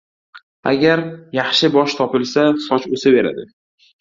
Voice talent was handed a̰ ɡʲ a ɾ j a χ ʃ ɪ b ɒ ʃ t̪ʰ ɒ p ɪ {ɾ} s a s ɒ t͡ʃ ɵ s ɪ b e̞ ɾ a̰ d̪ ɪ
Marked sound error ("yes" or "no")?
yes